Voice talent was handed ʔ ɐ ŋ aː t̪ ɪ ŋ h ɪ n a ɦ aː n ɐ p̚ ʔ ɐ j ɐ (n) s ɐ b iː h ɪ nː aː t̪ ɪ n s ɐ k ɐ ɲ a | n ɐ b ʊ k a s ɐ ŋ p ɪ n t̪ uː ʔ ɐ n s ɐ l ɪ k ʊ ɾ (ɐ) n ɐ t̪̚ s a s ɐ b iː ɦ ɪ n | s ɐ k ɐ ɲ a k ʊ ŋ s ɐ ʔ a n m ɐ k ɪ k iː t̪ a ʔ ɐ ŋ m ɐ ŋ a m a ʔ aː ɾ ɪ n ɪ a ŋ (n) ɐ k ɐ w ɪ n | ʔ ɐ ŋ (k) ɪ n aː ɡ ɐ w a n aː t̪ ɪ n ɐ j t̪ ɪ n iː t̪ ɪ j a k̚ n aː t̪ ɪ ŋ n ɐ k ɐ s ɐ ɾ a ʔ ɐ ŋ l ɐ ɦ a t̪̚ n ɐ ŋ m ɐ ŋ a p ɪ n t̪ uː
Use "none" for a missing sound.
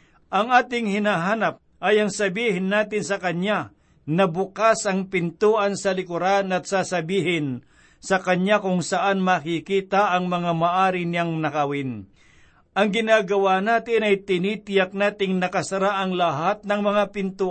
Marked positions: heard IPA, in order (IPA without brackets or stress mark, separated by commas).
ŋ, a, n, ɡ